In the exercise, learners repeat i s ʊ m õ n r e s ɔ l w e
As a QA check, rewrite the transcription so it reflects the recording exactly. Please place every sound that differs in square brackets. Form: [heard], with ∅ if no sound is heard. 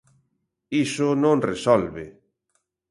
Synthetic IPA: i s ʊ [n] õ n r e s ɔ l [β] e